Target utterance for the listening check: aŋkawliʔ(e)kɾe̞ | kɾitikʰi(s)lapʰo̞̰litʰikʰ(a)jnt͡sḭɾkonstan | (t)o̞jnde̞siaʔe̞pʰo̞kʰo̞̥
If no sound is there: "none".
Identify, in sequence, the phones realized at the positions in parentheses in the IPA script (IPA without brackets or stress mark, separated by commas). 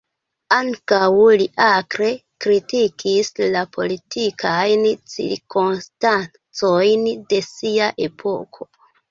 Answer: a, s, a, t͡s